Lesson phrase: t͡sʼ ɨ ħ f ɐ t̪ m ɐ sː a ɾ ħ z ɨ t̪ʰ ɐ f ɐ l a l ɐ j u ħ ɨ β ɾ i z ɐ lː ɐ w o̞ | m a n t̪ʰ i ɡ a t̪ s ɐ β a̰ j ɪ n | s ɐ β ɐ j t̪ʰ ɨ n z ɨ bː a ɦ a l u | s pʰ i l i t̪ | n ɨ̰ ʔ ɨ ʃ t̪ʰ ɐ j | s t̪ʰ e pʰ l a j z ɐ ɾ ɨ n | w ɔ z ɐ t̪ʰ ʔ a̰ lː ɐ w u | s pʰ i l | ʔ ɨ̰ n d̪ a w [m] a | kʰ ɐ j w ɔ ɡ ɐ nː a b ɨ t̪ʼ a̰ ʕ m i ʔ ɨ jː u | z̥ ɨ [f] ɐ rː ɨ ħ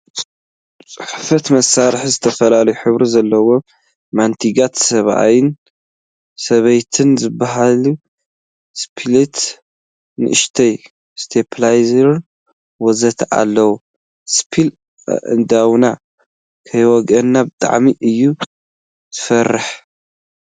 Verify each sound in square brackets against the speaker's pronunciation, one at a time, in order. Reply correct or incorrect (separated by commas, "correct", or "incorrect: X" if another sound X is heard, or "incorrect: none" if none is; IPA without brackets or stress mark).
incorrect: n, correct